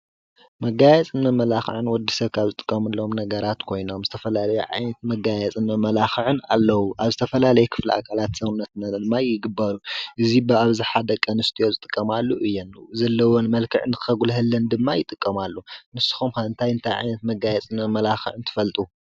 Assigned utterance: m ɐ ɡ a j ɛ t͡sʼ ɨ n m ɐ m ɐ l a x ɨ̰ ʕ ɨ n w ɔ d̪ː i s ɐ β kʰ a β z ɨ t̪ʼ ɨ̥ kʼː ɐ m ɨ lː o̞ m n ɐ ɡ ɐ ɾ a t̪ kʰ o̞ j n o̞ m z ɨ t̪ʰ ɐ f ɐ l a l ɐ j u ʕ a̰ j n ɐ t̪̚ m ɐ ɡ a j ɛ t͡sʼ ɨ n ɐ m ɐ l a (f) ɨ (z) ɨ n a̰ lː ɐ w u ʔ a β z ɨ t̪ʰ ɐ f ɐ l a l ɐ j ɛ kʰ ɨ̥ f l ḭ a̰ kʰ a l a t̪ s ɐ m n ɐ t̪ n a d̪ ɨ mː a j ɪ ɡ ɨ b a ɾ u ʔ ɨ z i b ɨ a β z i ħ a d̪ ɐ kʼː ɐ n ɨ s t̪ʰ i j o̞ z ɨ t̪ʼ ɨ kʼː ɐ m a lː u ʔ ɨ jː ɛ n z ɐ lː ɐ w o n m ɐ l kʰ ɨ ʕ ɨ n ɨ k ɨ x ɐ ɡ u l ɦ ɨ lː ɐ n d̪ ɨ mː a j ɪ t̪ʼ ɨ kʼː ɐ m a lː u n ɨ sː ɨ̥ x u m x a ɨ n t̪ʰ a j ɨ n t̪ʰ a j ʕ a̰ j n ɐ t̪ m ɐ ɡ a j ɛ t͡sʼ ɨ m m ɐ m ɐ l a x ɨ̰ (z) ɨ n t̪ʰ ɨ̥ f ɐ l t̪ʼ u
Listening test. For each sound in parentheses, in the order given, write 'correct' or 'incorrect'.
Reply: incorrect: x, incorrect: ʕ, incorrect: ʕ

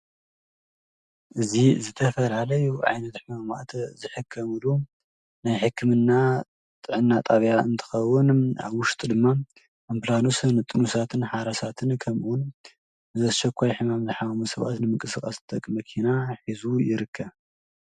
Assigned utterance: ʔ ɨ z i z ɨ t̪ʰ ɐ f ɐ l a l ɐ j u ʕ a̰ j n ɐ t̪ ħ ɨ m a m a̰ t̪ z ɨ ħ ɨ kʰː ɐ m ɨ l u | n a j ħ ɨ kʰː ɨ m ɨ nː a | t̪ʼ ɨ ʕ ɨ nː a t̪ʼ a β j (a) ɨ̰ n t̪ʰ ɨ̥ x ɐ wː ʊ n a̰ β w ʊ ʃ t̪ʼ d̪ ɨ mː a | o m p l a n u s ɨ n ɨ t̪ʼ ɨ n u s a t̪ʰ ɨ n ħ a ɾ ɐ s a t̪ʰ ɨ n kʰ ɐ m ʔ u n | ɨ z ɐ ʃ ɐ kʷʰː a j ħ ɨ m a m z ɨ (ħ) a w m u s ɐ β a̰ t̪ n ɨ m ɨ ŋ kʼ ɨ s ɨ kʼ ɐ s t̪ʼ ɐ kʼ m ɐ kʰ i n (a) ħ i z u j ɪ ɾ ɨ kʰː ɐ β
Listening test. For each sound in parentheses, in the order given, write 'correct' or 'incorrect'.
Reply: correct, correct, correct

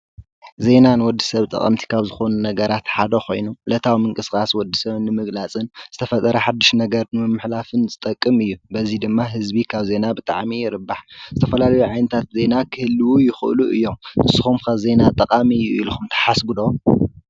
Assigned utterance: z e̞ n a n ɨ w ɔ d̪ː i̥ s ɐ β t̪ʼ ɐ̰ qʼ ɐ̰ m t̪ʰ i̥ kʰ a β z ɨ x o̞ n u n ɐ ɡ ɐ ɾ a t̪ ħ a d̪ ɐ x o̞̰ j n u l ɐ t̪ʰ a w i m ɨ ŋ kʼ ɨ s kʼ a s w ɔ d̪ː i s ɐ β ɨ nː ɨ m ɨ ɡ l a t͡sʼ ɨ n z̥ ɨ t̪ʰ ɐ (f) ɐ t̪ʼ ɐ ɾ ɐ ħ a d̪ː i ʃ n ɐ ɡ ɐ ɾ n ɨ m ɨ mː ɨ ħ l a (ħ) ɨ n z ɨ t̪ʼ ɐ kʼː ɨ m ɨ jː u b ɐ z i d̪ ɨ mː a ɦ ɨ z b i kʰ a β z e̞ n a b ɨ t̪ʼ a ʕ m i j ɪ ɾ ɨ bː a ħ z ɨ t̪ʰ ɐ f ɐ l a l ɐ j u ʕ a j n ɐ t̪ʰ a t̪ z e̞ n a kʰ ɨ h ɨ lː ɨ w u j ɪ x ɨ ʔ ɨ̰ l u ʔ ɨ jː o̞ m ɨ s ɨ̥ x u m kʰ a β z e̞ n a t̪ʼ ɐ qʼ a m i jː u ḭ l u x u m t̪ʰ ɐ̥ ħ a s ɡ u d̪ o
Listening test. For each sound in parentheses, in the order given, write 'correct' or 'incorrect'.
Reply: correct, incorrect: f

